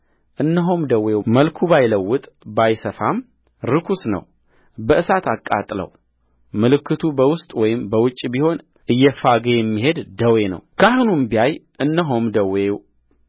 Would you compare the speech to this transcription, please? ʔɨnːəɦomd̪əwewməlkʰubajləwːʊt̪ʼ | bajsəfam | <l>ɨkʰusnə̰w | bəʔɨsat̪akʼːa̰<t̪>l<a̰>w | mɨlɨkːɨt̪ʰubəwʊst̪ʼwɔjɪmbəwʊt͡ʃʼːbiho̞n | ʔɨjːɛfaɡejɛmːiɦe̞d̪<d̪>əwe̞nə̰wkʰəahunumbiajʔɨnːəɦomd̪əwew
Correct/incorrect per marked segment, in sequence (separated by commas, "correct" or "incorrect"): incorrect, incorrect, incorrect, correct